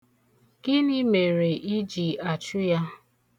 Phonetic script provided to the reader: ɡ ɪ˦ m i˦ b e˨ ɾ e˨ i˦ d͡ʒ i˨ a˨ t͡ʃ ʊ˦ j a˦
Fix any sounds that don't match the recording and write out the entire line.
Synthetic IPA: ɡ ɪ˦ n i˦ m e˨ ɾ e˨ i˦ d͡ʒ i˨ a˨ t͡ʃ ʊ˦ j a˦

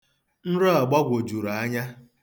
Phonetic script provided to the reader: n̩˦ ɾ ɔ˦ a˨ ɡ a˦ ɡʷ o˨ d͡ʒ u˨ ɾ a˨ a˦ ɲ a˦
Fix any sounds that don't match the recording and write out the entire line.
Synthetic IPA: n̩˦ ɾ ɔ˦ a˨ ɡ͡b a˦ ɡʷ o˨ d͡ʒ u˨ ɾ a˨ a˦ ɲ a˦

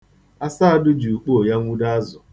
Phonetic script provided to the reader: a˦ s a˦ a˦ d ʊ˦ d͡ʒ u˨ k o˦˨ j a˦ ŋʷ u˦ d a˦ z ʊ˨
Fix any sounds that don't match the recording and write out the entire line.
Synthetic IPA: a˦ s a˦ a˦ d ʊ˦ d͡ʒ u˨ k͡p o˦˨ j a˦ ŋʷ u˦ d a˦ z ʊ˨

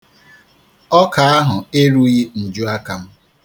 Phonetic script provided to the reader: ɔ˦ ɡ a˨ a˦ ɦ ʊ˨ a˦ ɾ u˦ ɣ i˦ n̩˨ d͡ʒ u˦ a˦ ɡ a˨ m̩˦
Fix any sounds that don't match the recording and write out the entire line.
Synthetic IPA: ɔ˦ k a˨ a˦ ɦ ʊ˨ e˦ ɾ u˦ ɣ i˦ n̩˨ d͡ʒ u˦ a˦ k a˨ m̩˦

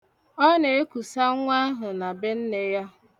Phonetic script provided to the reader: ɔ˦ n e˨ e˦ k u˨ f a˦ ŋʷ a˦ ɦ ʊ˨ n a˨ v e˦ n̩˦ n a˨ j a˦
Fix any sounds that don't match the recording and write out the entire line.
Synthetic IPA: ɔ˦ n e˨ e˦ k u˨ s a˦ ŋʷ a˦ ɦ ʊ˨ n a˨ b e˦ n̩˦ n e˨ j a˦

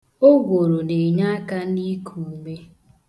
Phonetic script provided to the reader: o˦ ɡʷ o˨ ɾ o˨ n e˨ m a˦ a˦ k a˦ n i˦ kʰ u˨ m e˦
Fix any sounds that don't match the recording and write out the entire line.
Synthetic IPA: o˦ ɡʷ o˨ ɾ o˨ n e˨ ɲ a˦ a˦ k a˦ n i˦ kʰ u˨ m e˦

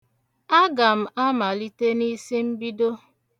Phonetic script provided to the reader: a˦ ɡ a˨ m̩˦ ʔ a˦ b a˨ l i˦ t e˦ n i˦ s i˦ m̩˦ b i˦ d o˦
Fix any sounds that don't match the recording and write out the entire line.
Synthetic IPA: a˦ ɡ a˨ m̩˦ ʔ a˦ m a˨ l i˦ t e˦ n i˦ s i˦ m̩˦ b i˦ d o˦

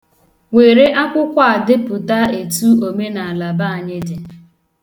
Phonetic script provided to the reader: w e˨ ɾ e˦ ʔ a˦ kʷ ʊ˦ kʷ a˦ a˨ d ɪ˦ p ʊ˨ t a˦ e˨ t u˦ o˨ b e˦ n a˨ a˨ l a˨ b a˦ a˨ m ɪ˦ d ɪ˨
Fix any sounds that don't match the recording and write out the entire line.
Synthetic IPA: w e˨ ɾ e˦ ʔ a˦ kʷ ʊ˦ kʷ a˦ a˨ d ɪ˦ p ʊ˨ t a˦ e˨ t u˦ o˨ m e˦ n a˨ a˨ l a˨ b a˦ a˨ ɲ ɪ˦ d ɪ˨

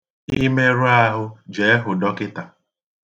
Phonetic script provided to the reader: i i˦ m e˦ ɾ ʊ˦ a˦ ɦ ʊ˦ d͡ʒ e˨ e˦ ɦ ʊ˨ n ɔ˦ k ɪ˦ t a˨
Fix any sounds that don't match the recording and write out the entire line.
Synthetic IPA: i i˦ m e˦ ɾ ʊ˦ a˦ ɦ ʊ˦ d͡ʒ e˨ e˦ ɦ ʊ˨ d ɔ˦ k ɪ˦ t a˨

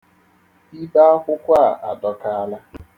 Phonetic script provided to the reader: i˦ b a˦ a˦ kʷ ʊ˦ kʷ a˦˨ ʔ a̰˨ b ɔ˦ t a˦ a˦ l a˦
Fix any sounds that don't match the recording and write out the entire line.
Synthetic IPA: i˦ b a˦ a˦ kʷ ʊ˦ kʷ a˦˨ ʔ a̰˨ d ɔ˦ k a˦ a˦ l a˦

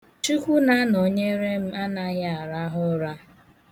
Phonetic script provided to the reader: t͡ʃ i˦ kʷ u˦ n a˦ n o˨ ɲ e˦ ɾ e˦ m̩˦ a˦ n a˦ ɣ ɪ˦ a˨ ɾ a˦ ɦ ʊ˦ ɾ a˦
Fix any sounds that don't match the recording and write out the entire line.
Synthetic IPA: t͡ʃ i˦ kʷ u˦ n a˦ n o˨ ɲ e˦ ɾ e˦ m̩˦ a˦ n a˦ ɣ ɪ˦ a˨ ɾ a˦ ɦ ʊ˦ ɾ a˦

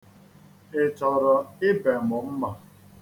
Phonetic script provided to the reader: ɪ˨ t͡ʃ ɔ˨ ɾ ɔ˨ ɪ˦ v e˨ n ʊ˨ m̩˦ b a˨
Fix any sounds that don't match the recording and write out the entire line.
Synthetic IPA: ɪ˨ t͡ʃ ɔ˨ ɾ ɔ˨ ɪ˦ b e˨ m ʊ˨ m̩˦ m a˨

